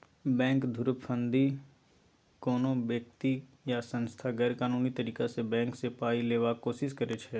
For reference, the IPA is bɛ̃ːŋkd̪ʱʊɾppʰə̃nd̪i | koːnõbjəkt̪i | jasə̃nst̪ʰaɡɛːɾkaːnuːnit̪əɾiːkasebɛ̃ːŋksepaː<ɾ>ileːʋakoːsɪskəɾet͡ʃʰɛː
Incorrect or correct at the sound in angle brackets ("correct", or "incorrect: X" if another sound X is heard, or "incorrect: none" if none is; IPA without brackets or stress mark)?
incorrect: none